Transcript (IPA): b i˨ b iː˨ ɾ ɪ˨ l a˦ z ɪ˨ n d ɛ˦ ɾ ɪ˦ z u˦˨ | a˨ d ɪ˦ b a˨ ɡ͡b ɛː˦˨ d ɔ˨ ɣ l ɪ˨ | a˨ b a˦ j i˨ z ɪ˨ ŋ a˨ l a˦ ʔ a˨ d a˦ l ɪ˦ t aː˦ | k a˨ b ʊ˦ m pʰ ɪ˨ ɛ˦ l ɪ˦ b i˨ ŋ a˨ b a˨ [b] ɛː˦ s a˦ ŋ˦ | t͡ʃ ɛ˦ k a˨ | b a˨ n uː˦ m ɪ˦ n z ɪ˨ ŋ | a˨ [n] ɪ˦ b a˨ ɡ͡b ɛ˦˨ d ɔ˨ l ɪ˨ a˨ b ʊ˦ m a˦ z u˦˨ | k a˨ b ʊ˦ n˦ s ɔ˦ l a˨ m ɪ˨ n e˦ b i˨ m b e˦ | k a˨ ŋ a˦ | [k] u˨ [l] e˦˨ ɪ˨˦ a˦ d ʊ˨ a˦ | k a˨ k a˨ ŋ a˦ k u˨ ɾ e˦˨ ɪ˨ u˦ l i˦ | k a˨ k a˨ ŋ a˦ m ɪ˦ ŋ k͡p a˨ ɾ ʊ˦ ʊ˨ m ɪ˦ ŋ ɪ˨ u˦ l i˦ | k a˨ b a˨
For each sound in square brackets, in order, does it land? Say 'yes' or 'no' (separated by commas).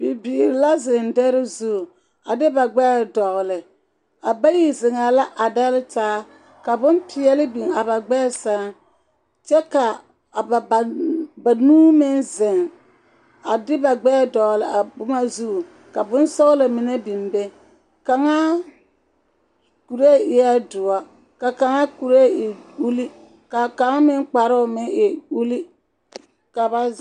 no, no, yes, no